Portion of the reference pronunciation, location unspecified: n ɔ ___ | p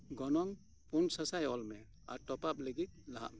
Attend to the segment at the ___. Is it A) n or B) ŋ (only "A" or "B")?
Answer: B